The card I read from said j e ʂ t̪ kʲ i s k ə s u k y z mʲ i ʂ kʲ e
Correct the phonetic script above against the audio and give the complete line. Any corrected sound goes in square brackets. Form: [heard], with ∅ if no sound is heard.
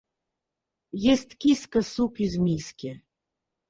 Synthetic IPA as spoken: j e [s] t̪ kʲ i s k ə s u k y z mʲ i [s] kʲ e